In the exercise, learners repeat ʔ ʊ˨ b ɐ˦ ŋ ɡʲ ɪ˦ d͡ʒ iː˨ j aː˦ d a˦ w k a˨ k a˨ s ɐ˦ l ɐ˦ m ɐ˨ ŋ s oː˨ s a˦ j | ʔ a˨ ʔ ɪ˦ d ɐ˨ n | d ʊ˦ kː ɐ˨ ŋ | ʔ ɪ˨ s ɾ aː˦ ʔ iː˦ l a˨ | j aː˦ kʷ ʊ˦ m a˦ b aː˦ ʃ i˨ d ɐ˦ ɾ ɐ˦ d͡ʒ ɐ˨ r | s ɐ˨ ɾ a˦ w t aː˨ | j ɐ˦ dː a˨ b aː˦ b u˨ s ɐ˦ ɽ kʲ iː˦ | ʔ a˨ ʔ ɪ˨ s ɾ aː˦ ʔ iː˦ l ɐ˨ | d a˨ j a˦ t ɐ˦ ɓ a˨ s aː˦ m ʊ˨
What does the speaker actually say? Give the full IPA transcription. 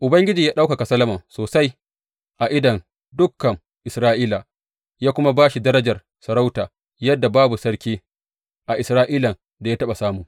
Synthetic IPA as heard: ʔ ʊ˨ b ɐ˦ ŋ ɡʲ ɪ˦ d͡ʒ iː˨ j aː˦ ɗ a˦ w k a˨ k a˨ s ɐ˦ l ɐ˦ m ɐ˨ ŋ s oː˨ s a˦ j | ʔ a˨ ʔ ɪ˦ d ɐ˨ n | d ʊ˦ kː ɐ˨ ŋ | ʔ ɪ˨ s ɾ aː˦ ʔ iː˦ l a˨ | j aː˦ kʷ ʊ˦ m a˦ b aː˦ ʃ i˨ d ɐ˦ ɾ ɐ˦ d͡ʒ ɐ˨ r | s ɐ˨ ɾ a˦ w t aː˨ | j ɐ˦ dː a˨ b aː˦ b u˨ s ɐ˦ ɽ kʲ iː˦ | ʔ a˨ ʔ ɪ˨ s ɾ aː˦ ʔ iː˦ l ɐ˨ | d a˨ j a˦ t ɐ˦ ɓ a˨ s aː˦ m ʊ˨